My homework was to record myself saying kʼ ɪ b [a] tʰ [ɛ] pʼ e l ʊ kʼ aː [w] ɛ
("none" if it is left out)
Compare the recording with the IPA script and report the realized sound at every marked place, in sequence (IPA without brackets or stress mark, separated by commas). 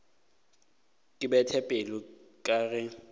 ɛ, ɛ, ɣ